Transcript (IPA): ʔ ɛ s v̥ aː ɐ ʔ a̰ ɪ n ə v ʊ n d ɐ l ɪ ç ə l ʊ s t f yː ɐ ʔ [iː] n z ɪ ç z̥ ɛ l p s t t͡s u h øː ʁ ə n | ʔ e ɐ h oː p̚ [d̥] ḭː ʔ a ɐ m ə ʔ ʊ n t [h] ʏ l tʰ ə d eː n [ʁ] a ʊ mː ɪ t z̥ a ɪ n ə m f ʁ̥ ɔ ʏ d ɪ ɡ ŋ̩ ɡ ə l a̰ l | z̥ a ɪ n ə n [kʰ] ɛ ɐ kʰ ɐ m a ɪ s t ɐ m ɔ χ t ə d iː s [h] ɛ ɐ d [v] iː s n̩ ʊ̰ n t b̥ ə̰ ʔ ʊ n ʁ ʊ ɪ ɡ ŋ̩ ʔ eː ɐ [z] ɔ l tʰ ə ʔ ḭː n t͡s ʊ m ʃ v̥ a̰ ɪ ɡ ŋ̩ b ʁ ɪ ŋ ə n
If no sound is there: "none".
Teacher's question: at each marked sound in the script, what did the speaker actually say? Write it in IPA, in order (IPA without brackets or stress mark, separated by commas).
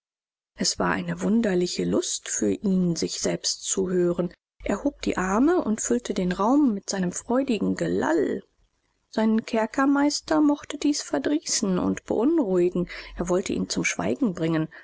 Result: iː, d̥, f, ʁ, kʰ, f, ʁ, v